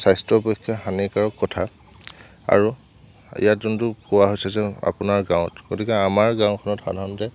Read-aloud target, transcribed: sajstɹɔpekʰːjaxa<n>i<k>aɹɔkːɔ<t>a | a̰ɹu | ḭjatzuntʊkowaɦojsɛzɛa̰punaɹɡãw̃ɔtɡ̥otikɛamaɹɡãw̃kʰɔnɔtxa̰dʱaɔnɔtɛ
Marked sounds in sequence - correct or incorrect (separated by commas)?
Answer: correct, correct, incorrect